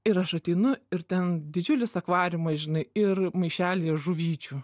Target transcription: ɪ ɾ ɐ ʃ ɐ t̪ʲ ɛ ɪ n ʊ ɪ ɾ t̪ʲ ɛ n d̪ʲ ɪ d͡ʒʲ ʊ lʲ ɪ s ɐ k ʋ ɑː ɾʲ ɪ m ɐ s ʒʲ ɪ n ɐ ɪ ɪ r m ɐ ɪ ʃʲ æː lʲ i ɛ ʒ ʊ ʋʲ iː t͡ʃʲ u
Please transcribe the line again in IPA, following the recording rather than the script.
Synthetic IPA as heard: ɪ ɾ ɐ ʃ ɐ t̪ʲ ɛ ɪ n ʊ ɪ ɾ t̪ʲ ɛ n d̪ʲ ɪ d͡ʒʲ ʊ lʲ ɪ s ɐ k ʋ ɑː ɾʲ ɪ m ɐ s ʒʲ ɪ n ɐ ɪ ɪ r m ɐ ɪ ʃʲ æː lʲ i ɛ ʒ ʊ ʋʲ iː t͡ʃʲ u